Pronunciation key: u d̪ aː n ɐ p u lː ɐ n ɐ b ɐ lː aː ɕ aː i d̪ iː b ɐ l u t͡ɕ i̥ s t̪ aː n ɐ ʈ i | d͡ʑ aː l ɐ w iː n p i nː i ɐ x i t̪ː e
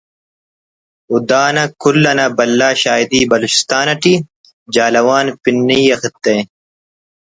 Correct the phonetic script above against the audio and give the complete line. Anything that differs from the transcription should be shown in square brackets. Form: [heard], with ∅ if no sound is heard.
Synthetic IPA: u d̪ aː n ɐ [k] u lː ɐ n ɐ b ɐ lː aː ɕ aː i d̪ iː b ɐ l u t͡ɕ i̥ s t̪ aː n ɐ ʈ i | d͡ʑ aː l ɐ w [aː] n p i nː i ɐ x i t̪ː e